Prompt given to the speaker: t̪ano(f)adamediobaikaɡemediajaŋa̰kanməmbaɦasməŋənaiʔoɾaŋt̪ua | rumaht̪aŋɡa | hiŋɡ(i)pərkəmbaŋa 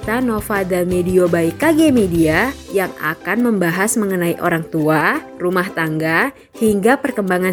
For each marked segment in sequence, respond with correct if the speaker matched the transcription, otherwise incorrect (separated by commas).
correct, incorrect